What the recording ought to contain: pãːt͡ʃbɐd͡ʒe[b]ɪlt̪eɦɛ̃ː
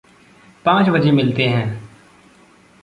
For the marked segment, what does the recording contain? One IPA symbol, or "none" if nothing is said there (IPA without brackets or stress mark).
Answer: m